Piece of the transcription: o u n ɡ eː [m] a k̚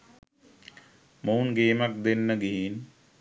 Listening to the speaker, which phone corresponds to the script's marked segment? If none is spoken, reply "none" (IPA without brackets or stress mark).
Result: m